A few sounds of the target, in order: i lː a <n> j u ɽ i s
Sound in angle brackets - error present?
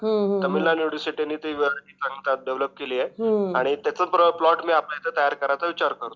no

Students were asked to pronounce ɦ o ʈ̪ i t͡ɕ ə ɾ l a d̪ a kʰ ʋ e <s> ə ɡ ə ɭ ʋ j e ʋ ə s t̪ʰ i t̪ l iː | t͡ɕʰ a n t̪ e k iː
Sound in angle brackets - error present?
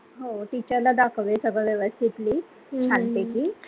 no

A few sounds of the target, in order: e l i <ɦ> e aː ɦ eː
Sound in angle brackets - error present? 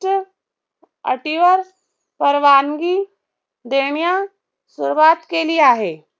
yes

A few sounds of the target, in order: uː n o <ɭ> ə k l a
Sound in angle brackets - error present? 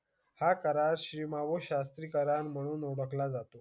yes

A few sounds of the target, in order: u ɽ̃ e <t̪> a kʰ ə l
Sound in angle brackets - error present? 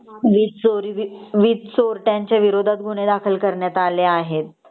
yes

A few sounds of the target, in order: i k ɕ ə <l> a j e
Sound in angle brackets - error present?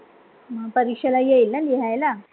no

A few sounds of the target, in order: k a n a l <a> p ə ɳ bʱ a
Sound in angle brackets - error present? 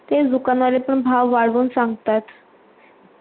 yes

